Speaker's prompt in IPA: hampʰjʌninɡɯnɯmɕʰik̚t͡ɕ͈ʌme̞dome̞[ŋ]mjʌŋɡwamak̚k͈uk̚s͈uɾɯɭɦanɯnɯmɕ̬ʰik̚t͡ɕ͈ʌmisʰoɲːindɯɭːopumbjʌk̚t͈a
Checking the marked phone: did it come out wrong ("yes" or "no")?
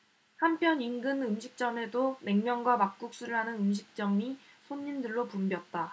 no